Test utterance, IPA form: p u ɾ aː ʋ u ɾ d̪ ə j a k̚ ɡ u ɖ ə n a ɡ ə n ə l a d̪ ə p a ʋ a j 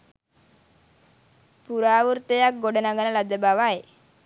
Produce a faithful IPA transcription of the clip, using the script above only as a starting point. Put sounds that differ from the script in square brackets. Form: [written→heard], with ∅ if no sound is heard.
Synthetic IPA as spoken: p u ɾ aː ʋ u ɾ [d̪→t̪] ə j a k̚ ɡ [u→o] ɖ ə n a ɡ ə n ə l a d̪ ə [p→b] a ʋ a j